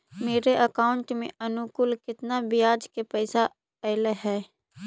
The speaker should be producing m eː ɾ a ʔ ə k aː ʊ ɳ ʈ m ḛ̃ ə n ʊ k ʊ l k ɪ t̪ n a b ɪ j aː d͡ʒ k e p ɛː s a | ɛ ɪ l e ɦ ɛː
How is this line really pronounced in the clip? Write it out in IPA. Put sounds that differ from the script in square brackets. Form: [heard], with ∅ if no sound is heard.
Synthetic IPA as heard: m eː ɾ [e] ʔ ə k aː ʊ ɳ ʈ m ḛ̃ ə n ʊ k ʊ l k ɪ t̪ n a b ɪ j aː d͡ʒ k e p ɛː s a | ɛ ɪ l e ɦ ɛː